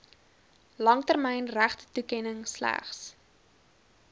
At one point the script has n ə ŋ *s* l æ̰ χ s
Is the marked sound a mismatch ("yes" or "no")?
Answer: no